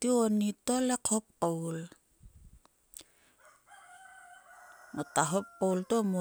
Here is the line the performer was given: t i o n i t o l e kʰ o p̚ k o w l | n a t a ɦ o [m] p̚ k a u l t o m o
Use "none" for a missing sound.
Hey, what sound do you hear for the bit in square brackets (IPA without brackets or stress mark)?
none